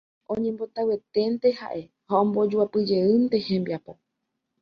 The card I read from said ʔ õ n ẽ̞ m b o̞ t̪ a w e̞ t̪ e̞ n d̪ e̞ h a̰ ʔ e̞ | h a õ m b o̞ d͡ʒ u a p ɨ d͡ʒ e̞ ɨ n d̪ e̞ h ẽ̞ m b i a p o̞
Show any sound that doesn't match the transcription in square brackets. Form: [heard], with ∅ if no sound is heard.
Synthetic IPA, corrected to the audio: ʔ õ [ɲ] ẽ̞ m b o̞ t̪ a w e̞ t̪ e̞ n [t̪] e̞ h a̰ ʔ e̞ | h a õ m b o̞ d͡ʒ u a p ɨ d͡ʒ e̞ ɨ n [t̪] e̞ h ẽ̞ m b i a p o̞